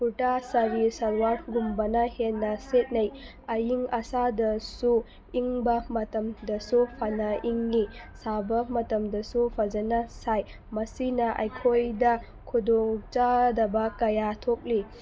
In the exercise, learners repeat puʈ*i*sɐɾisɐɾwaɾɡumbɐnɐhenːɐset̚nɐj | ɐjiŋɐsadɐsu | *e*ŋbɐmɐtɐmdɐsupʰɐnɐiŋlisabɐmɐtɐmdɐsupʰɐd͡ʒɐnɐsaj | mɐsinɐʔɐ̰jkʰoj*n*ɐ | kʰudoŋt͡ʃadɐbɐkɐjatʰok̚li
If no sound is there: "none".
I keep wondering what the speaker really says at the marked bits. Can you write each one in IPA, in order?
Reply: a, i, d

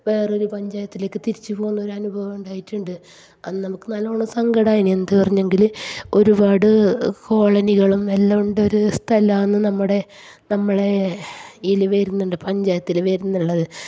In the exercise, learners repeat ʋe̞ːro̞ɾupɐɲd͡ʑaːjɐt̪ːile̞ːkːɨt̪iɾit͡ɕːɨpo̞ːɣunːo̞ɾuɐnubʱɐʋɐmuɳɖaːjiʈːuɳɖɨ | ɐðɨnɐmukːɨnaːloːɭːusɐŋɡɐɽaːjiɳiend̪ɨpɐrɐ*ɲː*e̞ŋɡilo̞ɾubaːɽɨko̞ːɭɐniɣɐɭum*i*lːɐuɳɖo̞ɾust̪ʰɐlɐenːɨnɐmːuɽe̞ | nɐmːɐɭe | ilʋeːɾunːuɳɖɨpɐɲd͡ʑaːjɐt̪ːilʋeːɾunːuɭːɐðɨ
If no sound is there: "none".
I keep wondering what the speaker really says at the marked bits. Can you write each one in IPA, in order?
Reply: ɲː, e

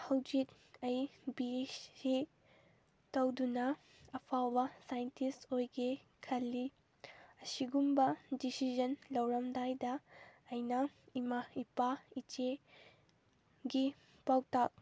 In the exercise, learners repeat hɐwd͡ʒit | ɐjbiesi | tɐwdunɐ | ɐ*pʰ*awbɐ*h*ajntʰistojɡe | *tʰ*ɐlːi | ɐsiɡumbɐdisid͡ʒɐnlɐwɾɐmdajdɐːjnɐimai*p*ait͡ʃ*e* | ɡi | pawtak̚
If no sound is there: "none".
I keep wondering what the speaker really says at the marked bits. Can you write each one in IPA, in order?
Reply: pʰ, s, kʰ, p, e

